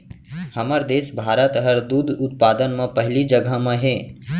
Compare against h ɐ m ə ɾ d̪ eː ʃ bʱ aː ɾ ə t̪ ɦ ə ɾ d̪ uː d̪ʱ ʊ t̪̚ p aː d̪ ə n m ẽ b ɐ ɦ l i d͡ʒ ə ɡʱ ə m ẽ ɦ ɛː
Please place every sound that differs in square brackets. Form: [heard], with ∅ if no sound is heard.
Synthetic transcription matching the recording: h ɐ m ə ɾ d̪ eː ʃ bʱ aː ɾ ə t̪ ɦ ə ɾ d̪ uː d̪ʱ ʊ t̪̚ p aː d̪ ə n m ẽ [p] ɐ ɦ l i d͡ʒ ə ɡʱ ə m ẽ ɦ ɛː